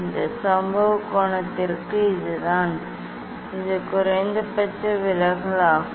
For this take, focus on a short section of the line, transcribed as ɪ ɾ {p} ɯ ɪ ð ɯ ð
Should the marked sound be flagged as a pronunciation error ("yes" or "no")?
yes